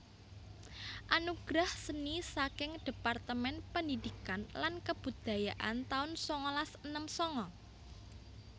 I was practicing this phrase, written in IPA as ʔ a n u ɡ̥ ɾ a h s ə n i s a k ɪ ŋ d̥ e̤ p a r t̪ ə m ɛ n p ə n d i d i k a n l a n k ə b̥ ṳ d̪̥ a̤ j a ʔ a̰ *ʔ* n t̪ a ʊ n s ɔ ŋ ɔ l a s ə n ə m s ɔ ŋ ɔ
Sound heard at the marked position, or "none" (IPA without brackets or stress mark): none